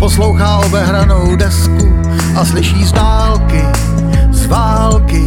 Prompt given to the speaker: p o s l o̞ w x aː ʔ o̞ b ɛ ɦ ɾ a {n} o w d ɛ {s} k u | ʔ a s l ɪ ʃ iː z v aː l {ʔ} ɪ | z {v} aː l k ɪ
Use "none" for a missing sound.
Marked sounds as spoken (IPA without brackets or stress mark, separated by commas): n, s, k, v